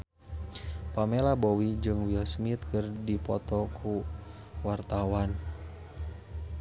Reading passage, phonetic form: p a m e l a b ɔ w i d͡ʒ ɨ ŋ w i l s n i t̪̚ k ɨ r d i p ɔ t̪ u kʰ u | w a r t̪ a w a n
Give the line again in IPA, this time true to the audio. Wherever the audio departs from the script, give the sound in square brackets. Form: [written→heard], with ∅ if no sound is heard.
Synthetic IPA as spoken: p a m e l a b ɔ w i d͡ʒ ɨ ŋ w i l s [n→m] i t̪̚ k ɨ r d i p ɔ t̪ [u→ɔ] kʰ u | w a r t̪ a w a n